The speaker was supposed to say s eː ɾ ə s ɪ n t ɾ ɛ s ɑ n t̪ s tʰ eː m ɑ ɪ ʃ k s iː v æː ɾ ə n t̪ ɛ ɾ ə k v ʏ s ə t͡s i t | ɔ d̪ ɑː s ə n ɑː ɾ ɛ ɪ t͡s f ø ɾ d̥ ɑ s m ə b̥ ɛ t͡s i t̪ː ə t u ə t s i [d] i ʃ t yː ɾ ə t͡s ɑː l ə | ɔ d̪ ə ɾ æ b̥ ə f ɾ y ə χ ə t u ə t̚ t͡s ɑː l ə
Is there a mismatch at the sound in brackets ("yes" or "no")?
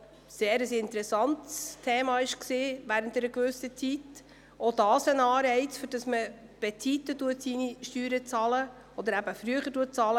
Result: yes